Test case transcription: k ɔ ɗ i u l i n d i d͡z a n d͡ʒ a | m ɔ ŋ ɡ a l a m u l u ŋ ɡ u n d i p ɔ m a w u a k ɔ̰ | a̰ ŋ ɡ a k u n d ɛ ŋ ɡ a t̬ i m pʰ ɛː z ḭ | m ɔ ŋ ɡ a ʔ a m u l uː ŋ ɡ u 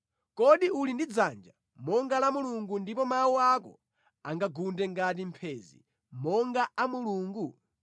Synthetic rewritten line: k ɔ ɗ i u l i n d i d͡z a n d͡ʒ a | m ɔ ŋ ɡ a l a m u l u ŋ ɡ u n d i p ɔ m a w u a k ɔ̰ | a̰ ŋ ɡ a ɡ u n d ɛ ŋ ɡ a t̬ i m pʰ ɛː z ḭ | m ɔ ŋ ɡ a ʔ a m u l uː ŋ ɡ u